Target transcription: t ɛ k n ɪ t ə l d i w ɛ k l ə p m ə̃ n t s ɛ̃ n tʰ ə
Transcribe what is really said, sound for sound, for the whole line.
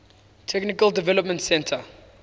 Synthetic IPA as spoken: tʰ ɛ k n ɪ k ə l d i v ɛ l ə p m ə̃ n t s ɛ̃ n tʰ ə

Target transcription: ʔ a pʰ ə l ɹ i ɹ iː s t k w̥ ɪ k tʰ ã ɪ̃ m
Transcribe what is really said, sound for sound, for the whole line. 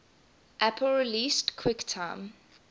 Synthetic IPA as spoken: ʔ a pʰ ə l ɹ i l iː s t kʰ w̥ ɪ k tʰ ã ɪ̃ m

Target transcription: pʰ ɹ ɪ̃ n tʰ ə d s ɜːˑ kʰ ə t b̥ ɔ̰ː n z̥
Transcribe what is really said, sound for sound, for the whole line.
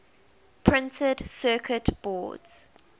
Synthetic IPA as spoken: pʰ ɹ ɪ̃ n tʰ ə d s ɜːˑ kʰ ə t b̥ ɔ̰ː d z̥

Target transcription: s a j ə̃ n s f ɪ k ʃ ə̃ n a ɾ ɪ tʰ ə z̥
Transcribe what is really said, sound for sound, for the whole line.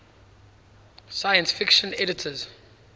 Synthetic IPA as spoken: s a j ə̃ n s f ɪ k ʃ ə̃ n ɛ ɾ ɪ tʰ ə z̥

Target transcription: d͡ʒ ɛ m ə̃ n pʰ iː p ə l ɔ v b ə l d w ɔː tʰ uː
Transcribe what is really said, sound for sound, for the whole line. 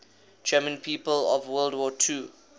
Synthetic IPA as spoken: d͡ʒ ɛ m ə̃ n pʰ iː p ə l ɔ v w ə l d w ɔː tʰ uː

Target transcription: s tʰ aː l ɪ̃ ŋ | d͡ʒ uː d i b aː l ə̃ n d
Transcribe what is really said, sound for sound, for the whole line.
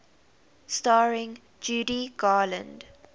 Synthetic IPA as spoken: s t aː ɹ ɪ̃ ŋ | d͡ʒ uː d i ɡ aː l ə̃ n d

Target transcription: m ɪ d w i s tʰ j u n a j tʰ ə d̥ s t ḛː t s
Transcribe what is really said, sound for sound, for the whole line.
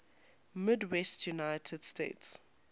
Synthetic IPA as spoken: m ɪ d w ɛ s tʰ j u n a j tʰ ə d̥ s t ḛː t s

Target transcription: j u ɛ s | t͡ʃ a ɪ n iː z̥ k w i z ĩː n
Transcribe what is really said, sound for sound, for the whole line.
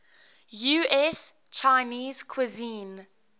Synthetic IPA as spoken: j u ɛ s | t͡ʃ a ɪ n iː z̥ kʰ w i z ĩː n

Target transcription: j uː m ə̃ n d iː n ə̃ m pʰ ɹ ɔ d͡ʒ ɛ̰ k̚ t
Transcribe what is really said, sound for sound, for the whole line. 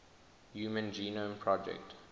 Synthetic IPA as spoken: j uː m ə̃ n d͡ʒ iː n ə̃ m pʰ ɹ ɔ d͡ʒ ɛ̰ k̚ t

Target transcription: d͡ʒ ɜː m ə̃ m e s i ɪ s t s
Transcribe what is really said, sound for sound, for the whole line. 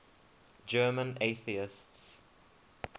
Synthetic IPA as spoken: d͡ʒ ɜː m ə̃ n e θ i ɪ s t s

